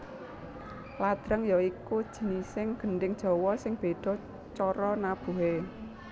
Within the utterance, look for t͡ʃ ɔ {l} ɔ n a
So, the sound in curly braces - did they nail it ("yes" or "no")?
no